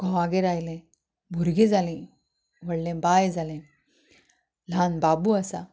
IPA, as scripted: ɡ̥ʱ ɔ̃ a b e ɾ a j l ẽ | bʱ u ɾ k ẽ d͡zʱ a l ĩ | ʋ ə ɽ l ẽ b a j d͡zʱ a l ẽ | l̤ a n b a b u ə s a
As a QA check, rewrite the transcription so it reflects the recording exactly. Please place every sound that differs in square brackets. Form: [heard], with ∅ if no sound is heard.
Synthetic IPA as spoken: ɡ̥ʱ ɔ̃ a [ɡ] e ɾ a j l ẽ | bʱ u ɾ [ɡ] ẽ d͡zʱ a l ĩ | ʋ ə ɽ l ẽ b a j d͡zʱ a l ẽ | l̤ a n b a b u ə s a